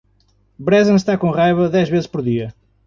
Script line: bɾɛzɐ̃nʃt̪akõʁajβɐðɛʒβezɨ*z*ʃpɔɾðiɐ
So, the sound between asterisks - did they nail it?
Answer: no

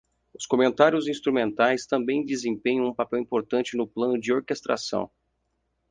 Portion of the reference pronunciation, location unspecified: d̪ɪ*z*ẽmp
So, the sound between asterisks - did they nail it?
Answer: yes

